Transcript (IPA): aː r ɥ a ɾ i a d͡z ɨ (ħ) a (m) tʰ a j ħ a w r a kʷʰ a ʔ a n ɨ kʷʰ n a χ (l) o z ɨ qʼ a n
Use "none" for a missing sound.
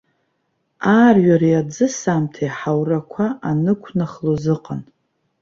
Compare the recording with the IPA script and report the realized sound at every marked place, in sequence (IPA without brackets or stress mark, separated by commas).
s, m, l